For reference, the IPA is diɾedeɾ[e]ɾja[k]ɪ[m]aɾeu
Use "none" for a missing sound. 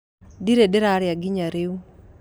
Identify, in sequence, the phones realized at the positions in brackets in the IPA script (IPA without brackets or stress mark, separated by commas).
a, ɡ, ɲ